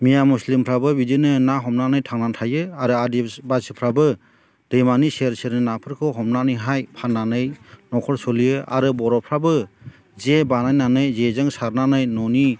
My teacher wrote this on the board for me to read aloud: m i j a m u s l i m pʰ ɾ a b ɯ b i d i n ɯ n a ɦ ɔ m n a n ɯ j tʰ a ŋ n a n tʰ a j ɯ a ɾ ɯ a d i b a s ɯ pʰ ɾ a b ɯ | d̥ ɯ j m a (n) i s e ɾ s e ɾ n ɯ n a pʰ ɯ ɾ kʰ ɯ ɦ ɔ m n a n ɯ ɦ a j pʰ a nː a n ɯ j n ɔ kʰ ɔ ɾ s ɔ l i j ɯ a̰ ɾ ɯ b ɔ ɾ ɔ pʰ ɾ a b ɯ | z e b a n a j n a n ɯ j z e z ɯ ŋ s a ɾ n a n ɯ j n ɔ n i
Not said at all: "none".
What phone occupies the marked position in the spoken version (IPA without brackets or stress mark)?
n